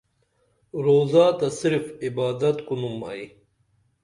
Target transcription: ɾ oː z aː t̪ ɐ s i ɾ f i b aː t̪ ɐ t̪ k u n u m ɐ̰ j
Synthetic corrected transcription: ɾ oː z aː t̪ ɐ s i ɾ f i b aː d̪ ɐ t̪ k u n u m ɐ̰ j